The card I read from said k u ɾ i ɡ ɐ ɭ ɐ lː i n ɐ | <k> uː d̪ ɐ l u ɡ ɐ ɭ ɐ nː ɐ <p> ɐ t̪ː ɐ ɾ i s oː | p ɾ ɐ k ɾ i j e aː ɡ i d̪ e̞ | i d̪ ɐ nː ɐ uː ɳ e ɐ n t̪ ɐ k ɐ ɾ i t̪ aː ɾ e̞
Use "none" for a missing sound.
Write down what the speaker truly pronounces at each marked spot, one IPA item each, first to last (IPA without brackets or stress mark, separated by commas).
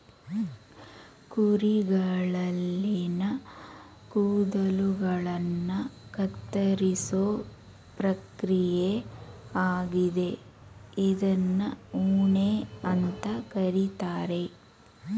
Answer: k, k